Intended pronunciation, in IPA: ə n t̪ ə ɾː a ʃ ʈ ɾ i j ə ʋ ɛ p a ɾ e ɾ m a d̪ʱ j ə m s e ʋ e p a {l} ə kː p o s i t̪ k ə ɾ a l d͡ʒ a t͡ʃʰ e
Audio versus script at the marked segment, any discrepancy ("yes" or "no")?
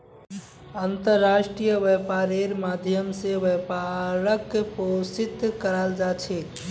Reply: yes